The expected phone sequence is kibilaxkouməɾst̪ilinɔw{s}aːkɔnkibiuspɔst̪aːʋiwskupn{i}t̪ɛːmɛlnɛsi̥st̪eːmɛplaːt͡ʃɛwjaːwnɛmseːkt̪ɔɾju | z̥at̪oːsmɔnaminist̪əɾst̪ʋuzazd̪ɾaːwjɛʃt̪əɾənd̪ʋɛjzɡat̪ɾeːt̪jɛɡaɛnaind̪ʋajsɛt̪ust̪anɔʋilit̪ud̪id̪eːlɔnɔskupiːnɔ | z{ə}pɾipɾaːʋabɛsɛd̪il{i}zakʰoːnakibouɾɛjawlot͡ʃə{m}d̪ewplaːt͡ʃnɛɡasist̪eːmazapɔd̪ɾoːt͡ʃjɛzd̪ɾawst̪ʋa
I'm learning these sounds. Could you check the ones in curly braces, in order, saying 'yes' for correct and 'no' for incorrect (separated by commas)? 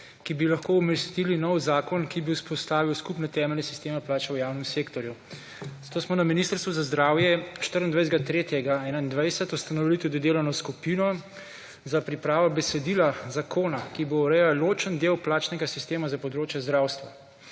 no, no, no, no, no